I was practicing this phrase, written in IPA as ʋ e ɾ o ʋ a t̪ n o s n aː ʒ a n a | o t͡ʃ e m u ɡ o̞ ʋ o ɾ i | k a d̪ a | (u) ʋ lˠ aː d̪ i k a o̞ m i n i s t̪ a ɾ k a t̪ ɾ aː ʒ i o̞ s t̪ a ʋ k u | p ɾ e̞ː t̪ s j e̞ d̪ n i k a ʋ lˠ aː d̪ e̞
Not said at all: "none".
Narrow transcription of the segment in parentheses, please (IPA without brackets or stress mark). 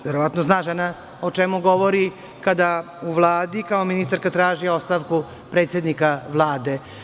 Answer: u